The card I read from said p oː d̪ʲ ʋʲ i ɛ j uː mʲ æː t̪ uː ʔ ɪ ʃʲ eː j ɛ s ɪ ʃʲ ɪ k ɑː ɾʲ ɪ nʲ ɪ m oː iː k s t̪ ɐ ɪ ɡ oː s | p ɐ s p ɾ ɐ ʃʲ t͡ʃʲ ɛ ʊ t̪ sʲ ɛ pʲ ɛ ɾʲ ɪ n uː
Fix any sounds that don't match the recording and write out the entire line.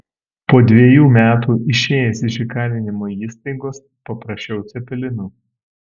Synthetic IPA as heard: p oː d̪ʲ ʋʲ i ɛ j uː mʲ æː t̪ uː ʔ ɪ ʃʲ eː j ɛ s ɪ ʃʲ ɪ k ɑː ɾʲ ɪ nʲ ɪ m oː iː s t̪ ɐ ɪ ɡ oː s | p ɐ p ɾ ɐ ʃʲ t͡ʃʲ ɛ ʊ t̪ sʲ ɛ pʲ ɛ lʲ ɪ n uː